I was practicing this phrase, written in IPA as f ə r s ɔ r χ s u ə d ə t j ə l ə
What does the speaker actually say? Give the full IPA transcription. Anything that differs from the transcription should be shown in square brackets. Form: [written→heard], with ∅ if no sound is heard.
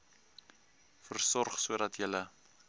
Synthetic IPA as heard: f ə r s ɔ r χ s u ə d [ə→ɐ] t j ə l ə